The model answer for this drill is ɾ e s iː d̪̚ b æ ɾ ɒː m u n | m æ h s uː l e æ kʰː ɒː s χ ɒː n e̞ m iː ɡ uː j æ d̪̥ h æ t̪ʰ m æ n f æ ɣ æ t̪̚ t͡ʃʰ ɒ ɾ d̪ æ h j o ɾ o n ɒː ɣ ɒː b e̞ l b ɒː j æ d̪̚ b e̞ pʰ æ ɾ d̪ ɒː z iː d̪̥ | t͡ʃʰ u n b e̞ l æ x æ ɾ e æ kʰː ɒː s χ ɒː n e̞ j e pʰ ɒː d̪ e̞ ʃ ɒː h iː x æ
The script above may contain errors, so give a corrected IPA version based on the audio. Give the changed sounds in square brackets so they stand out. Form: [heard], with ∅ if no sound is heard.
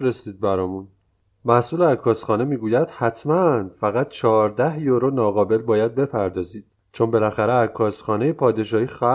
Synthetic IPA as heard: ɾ e s iː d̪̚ b æ ɾ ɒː m u n | m æ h s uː l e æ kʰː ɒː s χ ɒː n e̞ m iː ɡ uː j æ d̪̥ h æ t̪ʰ m æ n f æ ɣ æ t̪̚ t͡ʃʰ ɒ ɾ d̪ æ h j o ɾ o n ɒː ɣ ɒː b e̞ l b ɒː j æ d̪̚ b e̞ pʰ æ ɾ d̪ ɒː z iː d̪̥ | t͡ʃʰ [o] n b e̞ l æ x æ ɾ e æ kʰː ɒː s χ ɒː n e̞ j e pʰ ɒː d̪ e̞ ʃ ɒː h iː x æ